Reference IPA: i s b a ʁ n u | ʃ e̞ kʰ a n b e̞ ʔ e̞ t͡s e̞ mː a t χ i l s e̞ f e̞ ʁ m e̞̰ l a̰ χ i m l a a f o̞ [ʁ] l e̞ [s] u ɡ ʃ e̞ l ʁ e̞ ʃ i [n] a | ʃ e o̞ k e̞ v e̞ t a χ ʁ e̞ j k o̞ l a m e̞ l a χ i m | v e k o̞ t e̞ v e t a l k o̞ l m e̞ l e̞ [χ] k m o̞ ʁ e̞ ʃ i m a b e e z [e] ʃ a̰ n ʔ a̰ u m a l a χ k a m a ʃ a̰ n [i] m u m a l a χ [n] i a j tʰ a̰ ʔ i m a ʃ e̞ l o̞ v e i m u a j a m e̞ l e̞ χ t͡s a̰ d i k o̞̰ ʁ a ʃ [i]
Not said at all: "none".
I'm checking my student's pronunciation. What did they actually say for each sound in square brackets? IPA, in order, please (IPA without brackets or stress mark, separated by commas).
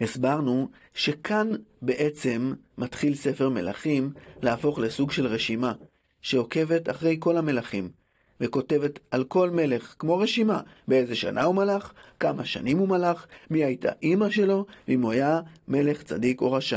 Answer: χ, s, m, χ, e, i, m, a